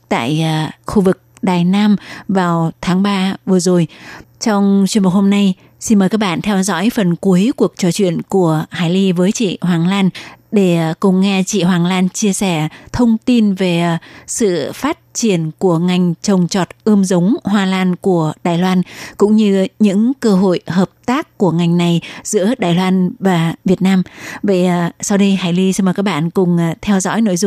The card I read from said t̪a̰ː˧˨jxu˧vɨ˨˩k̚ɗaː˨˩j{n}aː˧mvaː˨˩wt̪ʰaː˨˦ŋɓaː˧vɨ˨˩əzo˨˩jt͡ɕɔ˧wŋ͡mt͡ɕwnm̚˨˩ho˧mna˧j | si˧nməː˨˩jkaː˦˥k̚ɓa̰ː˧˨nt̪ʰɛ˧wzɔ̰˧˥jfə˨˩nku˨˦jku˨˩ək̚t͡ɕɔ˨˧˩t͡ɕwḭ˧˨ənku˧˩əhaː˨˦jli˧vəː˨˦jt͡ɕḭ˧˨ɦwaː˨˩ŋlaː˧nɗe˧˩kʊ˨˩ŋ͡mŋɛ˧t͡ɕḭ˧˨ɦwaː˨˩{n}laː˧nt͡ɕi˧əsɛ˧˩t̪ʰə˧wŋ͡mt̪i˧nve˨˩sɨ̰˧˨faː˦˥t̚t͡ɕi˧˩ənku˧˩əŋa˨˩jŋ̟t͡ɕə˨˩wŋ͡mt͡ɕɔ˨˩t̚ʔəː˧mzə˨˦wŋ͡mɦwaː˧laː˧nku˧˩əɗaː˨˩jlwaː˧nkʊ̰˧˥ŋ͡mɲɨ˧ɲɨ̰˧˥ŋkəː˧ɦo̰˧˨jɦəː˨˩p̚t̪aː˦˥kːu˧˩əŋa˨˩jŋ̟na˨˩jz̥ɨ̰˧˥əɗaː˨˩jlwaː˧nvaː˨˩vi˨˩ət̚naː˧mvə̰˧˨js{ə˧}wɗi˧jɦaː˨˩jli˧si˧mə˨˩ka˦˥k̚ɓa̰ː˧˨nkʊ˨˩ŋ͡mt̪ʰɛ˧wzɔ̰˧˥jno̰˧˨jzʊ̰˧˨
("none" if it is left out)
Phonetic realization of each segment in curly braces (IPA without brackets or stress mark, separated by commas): n, ŋ, a˧